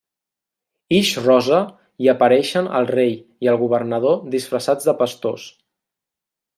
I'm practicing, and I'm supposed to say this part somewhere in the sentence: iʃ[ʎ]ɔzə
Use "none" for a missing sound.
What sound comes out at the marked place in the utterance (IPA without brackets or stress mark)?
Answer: r